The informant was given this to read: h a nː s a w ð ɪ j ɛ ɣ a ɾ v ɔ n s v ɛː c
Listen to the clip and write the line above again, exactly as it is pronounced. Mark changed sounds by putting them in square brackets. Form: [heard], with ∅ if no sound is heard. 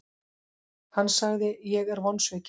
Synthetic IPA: h a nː s a [ɣ] ð ɪ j ɛ ɣ [ɛ] ɾ v ɔ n s v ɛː c